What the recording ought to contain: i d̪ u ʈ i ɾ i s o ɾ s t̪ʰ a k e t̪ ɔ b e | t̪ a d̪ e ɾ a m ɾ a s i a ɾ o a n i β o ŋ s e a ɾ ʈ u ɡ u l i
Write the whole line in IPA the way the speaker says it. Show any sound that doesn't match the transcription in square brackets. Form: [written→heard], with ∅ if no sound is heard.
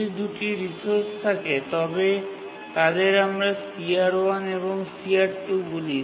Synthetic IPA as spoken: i d̪ u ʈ i ɾ i s o ɾ s t̪ʰ a k e t̪ ɔ b e | t̪ a d̪ e ɾ a m ɾ a s i a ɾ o a n [i→e] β o ŋ s [e→i] a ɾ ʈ u ɡ u l i